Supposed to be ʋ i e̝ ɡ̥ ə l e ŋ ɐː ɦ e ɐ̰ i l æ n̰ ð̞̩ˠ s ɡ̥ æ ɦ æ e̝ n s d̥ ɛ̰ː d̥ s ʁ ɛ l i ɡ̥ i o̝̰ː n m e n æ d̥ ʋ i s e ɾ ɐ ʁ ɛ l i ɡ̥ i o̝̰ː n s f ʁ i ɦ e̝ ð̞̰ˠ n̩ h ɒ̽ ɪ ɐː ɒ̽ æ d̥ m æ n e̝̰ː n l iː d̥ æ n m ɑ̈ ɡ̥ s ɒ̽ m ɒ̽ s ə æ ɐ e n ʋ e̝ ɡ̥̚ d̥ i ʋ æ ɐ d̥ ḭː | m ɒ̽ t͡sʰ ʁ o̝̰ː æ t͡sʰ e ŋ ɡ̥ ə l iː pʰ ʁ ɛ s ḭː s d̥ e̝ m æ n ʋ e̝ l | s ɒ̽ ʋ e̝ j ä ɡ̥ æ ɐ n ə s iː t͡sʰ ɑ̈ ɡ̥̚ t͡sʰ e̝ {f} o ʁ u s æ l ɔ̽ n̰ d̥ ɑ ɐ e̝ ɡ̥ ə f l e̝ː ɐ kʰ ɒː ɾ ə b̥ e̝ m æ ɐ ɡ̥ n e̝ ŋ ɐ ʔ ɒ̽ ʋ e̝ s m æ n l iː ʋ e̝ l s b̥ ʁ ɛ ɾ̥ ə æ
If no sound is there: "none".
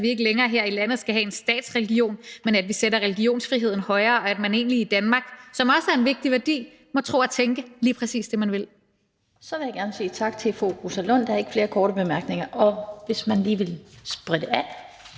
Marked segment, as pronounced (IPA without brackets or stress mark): f